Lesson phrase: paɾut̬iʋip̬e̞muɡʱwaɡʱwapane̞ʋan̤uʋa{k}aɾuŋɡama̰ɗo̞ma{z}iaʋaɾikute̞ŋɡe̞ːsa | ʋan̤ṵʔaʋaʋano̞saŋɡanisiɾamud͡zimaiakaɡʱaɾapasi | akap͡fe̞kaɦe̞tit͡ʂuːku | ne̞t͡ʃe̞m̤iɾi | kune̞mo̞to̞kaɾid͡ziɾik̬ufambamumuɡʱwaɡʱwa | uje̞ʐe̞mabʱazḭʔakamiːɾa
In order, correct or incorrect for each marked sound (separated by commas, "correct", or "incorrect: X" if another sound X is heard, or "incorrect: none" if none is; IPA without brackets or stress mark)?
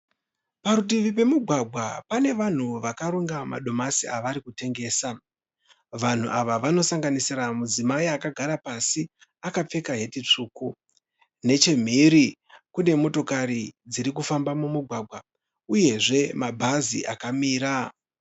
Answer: correct, incorrect: s